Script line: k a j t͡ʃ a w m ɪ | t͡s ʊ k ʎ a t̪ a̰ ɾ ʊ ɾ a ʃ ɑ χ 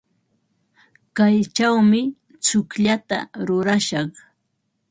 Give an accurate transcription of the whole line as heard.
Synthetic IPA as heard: k a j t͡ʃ a w m ɪ | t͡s ʊ k ʎ a t̪ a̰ ɾ ʊ ɾ a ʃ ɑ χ